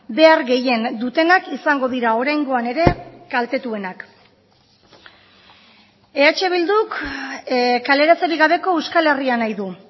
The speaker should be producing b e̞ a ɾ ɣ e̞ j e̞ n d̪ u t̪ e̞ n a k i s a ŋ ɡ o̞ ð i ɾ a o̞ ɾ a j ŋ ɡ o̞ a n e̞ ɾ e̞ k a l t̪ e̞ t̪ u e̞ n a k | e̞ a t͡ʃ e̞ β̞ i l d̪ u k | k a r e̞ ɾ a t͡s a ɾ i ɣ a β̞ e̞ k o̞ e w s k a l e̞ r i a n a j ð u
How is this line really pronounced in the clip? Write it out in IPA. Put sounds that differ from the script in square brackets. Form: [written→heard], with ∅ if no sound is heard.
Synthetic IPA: b e̞ a ɾ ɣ e̞ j e̞ n d̪ u t̪ e̞ n a k i s a ŋ ɡ o̞ ð i ɾ a o̞ ɾ a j ŋ ɡ o̞ a n e̞ ɾ e̞ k a l t̪ e̞ t̪ u e̞ n a k | e̞ a t͡ʃ e̞ β̞ i l d̪ u k | k a [r→l] e̞ ɾ a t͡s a ɾ i ɣ a β̞ e̞ k o̞ e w s k a l e̞ r i a n a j ð u